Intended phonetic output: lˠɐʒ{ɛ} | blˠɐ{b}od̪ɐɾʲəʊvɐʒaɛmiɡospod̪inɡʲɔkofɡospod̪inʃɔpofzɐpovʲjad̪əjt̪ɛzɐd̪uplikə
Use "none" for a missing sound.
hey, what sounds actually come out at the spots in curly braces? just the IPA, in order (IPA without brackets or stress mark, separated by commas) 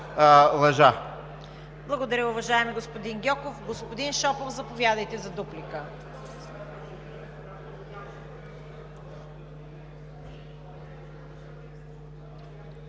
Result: a, ɡ